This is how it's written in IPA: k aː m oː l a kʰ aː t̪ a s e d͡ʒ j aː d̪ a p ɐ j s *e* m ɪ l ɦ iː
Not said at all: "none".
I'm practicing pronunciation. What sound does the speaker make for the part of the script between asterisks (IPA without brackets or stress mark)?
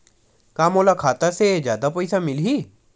a